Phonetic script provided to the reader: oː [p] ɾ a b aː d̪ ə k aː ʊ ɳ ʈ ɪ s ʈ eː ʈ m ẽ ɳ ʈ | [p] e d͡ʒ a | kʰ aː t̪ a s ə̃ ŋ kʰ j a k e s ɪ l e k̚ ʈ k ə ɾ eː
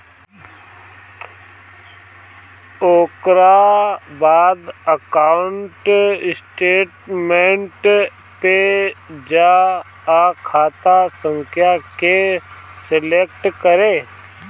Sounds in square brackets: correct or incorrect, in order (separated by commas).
incorrect, correct